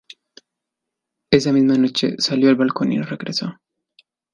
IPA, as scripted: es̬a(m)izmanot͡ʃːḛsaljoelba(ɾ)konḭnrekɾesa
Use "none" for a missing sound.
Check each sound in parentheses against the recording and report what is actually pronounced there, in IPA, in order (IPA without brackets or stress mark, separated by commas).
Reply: m, l